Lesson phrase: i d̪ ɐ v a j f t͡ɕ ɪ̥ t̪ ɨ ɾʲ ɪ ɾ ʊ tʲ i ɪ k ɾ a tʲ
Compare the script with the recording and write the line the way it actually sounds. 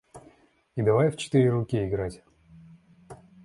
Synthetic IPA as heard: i d̪ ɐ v a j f t͡ɕ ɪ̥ t̪ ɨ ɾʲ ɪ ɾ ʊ kʲ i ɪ ɡ ɾ a tʲ

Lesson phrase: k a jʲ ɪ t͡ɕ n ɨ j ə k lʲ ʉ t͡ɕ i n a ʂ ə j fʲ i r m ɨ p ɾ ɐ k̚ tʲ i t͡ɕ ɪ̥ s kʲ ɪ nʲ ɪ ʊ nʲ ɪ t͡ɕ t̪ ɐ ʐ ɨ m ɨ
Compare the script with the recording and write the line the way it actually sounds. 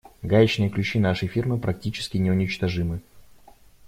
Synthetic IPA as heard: ɡ a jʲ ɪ t͡ɕ n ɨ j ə k lʲ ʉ t͡ɕ i n a ʂ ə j fʲ i r m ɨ p ɾ ɐ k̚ tʲ i t͡ɕ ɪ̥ s kʲ ɪ nʲ ɪ ʊ nʲ ɪ t͡ɕ t̪ ɐ ʐ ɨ m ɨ

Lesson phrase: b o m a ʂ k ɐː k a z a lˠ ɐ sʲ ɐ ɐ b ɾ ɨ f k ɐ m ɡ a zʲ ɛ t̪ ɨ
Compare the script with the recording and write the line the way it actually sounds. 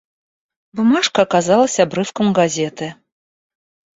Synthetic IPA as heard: b u m a ʂ k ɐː k a z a lˠ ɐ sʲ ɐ a b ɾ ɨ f k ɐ m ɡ a zʲ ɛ t̪ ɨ

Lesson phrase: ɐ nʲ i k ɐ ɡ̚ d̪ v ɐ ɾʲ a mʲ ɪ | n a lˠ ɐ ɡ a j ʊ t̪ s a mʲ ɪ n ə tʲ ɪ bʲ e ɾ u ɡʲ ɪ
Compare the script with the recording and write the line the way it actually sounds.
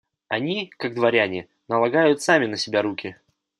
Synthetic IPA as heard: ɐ nʲ i k a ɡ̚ d̪ v ɐ ɾʲ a nʲ ɪ | n ə lˠ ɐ ɡ a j ʊ t̪ s a mʲ ɪ n ə sʲ ɪ bʲ a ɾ u kʲ ɪ

